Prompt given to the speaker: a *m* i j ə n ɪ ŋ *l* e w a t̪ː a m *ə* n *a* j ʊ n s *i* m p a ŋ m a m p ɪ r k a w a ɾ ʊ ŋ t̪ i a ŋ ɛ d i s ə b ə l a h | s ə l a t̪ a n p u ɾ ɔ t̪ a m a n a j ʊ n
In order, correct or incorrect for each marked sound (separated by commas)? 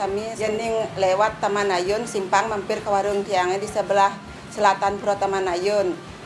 correct, correct, incorrect, correct, correct